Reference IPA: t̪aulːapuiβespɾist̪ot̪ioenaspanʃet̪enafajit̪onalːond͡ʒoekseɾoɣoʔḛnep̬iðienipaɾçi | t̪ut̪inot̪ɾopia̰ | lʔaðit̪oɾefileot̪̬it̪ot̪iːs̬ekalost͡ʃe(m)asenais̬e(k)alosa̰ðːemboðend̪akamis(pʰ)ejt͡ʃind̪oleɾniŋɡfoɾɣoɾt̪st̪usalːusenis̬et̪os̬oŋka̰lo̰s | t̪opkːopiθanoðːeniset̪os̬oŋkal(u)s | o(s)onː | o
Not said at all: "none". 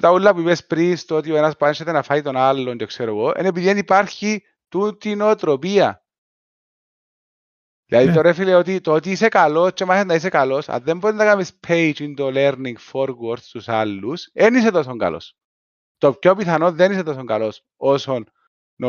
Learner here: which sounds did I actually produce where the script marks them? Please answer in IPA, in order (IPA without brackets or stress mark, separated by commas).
m, k, pʰ, o, s